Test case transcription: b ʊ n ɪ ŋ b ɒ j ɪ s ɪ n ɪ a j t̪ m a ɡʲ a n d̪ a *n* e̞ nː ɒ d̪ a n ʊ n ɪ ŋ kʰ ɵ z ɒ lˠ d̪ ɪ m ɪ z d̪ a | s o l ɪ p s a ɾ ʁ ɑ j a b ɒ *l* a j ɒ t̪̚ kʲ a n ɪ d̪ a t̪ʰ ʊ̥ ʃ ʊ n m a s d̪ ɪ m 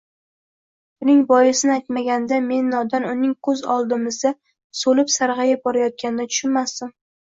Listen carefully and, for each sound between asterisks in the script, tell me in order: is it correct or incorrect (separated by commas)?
incorrect, incorrect